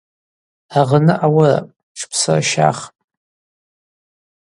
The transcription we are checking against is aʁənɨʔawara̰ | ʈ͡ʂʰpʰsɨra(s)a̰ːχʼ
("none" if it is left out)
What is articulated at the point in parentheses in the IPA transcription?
ʃ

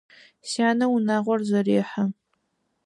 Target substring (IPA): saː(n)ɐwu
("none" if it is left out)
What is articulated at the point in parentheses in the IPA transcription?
n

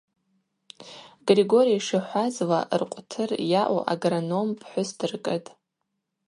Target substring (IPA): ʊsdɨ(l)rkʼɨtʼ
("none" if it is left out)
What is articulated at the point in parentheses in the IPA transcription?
none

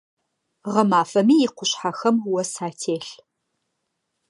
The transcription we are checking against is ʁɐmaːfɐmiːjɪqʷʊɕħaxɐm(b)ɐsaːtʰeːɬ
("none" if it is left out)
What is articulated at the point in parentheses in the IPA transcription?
w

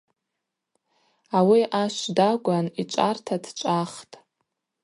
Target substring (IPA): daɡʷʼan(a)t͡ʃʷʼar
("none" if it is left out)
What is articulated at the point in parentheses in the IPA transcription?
i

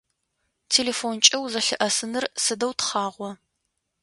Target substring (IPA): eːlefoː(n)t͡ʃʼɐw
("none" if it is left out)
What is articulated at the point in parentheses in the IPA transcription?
n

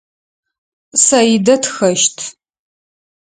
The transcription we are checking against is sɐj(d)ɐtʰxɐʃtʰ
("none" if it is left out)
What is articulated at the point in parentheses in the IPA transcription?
d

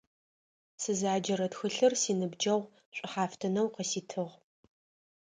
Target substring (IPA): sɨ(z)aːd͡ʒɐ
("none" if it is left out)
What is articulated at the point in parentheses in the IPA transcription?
z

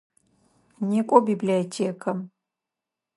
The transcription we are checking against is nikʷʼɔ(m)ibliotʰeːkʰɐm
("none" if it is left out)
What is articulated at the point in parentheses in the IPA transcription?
b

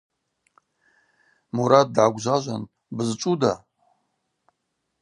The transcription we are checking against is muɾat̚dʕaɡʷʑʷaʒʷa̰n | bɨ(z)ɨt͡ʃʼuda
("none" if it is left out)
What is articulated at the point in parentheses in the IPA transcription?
z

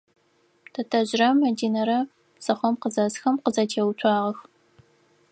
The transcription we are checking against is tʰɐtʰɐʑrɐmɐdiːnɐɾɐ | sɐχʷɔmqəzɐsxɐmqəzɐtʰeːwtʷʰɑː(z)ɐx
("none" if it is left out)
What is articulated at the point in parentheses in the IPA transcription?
ʁ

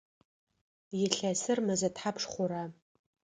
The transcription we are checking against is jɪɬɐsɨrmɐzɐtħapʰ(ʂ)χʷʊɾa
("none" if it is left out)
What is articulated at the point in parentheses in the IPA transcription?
ʂ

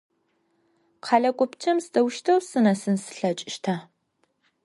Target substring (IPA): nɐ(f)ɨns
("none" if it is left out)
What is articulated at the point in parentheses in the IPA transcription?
s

